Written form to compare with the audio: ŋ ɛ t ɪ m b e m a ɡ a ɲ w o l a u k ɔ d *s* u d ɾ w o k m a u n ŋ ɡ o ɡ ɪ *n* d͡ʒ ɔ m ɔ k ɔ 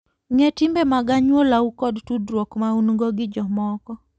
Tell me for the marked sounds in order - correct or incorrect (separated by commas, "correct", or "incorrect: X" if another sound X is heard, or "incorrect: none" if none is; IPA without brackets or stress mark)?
incorrect: t, incorrect: none